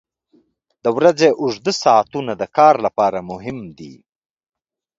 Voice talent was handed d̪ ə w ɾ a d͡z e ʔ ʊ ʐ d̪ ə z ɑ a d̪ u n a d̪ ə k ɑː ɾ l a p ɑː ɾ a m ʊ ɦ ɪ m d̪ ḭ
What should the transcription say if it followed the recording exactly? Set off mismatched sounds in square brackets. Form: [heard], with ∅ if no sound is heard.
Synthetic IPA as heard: d̪ ə w ɾ a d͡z e ʔ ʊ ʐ d̪ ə [s] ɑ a [t̪] u n a d̪ ə k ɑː ɾ l a p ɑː ɾ a m ʊ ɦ ɪ m d̪ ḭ

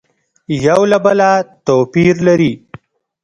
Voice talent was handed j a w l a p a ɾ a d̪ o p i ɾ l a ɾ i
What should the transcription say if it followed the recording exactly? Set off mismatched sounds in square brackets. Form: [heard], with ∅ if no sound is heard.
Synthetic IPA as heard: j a w l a [b] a [l] a [t̪] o p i ɾ l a ɾ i

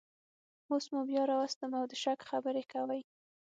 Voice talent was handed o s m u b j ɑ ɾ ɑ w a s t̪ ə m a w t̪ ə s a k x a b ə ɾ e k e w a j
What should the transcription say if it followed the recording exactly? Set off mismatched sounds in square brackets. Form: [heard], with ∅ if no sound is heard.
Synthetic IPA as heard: o s m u b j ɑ ɾ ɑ w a s t̪ ə m a w [d̪] ə [ʃ] a k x a b ə ɾ e k [a] w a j

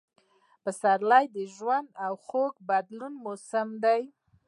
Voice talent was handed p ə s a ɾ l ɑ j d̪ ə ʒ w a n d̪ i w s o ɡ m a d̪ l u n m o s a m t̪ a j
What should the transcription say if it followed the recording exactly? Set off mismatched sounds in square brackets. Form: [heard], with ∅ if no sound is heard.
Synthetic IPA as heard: p ə s a ɾ l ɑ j d̪ ə ʒ w a n d̪ [a] w [x] o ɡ [b] a d̪ l u n m o s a m [d̪] a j

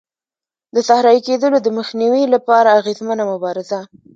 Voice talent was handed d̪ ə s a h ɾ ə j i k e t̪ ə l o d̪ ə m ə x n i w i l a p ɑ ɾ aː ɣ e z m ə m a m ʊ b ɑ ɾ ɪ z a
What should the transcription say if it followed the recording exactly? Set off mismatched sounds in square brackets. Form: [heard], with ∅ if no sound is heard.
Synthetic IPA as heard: d̪ ə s a h ɾ [ɑ] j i k e [d̪] ə l o d̪ ə m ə x n i w i l a p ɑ ɾ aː ɣ e z m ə [n] a m ʊ b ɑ ɾ ɪ z a

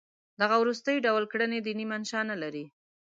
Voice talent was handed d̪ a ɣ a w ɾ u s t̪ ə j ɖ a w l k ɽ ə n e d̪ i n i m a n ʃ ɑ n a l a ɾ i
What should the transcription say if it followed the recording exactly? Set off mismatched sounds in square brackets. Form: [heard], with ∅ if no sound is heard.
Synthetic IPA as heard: d̪ a ɣ a w ɾ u s t̪ ə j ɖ a w l k ɽ ə n e d̪ i n i m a n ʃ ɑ n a l a ɾ i

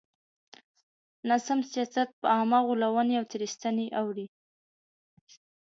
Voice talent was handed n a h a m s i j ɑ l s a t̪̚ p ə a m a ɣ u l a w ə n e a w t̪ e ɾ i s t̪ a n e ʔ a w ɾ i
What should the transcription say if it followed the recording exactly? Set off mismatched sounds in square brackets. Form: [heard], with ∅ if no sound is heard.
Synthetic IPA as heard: n a [s] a m s i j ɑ [∅] s a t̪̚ p ə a m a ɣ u l a w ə n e a w t̪ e ɾ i s t̪ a n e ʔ a w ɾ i

